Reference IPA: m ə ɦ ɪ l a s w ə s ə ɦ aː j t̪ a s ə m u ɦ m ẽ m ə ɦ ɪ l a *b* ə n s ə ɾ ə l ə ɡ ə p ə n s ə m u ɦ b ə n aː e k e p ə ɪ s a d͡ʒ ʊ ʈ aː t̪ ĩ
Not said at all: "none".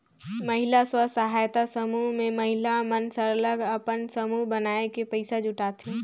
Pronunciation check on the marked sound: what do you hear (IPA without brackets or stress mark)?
m